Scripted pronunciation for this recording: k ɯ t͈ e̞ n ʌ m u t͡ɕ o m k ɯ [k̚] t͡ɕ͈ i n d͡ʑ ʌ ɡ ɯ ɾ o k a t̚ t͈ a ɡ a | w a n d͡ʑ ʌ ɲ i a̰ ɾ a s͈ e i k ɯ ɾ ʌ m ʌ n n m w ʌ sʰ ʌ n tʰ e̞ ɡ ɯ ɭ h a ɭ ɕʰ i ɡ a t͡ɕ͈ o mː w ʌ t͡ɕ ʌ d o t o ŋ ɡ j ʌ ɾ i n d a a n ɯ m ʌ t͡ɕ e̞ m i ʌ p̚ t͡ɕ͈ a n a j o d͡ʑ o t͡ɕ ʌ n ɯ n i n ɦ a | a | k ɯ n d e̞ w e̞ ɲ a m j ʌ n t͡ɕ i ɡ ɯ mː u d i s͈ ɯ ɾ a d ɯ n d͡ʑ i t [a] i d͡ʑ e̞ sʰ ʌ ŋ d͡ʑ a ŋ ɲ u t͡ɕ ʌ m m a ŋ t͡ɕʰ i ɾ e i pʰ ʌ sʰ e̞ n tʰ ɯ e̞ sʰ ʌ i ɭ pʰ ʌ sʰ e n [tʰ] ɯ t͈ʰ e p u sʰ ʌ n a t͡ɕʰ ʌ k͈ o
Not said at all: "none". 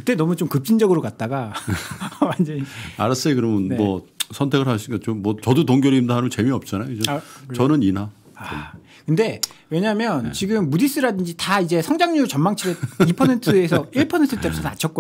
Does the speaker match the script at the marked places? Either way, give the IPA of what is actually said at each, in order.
p̚, a, tʰ

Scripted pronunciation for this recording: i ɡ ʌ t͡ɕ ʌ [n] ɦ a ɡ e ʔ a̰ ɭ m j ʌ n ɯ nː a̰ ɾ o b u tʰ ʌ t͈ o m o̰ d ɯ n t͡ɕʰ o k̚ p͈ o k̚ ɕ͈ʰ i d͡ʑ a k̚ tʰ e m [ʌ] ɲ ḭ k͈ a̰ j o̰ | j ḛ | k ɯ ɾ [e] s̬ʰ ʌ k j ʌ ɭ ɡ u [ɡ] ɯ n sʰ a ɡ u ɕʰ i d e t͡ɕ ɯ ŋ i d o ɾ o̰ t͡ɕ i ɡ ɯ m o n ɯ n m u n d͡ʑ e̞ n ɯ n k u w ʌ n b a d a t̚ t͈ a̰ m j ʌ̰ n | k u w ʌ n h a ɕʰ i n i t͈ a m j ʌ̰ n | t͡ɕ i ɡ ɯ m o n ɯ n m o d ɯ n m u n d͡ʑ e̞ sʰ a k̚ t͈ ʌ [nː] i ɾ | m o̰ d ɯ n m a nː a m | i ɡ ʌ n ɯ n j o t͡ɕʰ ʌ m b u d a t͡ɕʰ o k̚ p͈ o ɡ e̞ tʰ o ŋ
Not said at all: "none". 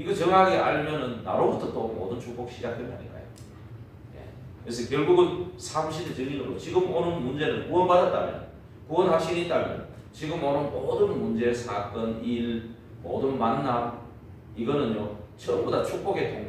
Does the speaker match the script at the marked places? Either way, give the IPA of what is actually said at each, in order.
ŋ, a, e, ɡ, n

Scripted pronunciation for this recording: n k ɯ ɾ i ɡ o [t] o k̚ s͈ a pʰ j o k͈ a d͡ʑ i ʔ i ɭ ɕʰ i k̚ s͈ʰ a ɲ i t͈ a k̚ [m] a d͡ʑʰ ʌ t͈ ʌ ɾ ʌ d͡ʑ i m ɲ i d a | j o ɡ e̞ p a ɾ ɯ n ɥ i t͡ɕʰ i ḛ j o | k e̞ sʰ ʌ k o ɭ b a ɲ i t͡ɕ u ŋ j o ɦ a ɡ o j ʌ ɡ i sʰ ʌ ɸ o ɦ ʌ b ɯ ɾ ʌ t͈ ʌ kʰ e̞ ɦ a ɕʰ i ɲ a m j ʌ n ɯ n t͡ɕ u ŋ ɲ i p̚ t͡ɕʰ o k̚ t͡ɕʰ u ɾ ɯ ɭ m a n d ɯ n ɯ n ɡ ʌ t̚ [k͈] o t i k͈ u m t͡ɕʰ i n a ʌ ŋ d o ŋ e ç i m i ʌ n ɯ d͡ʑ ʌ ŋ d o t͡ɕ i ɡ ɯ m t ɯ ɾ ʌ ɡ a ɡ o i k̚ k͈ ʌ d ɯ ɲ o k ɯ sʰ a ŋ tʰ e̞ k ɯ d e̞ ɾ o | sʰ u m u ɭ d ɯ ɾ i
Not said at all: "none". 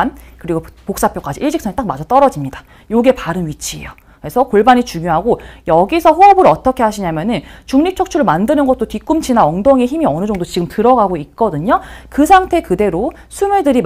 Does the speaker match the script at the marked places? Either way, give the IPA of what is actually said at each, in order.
p, m, t͈

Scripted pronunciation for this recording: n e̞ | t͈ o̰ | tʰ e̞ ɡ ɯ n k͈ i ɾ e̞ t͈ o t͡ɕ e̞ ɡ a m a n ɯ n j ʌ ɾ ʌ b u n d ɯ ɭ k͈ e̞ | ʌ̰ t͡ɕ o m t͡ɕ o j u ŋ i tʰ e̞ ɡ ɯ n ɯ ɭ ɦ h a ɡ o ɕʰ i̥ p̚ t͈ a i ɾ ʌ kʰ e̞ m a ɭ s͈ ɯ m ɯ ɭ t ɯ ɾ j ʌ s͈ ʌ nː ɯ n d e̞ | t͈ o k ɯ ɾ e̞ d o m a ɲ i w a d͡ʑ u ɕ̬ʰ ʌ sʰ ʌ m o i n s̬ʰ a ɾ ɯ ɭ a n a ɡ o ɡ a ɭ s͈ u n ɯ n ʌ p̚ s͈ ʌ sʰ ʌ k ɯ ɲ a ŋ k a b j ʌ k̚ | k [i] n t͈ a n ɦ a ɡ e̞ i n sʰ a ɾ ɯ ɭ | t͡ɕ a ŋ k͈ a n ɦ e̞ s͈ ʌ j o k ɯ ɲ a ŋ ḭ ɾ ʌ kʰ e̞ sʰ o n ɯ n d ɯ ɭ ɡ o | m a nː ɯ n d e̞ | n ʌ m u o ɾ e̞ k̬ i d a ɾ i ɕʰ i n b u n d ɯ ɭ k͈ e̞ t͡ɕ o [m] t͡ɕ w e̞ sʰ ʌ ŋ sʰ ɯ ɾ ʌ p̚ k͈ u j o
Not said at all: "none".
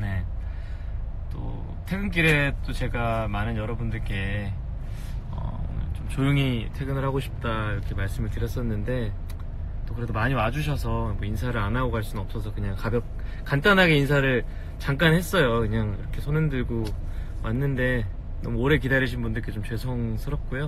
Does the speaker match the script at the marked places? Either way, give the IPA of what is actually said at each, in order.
a, m

